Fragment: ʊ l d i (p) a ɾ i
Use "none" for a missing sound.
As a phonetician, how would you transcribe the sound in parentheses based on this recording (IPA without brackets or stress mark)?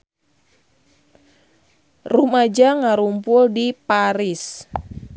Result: p